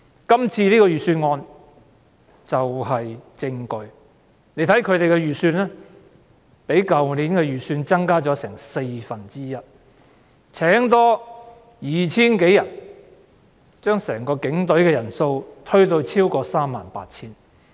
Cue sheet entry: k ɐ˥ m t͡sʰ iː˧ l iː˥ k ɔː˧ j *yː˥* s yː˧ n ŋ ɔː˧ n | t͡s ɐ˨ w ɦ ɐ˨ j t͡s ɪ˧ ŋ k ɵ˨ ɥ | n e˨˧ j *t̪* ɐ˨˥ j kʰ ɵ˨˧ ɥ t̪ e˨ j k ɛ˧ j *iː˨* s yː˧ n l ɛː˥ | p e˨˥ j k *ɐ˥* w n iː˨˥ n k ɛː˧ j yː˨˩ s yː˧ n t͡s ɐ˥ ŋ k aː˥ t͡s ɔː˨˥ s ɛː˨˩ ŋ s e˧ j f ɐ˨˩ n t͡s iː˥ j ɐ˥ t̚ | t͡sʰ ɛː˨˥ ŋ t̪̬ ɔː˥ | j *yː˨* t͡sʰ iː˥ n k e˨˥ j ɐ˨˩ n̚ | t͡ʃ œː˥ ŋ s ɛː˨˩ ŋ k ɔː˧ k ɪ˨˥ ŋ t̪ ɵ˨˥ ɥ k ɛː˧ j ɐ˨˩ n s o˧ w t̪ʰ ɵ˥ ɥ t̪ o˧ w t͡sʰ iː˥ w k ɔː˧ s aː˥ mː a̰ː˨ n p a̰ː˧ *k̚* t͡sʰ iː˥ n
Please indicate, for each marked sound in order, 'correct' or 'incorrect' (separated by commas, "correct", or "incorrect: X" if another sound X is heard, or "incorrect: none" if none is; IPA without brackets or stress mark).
incorrect: yː˨, incorrect: t̪ʰ, incorrect: yː˨, incorrect: ɐ˨, incorrect: iː˨, incorrect: t̚